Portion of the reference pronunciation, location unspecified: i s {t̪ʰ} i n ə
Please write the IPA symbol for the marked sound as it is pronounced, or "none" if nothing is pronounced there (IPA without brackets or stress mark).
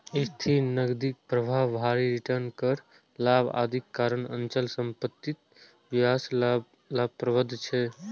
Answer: t̪ʰ